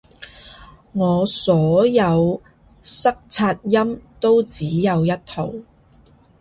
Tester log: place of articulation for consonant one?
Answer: velar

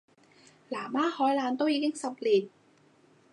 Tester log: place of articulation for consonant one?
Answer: alveolar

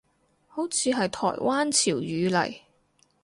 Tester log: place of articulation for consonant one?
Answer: glottal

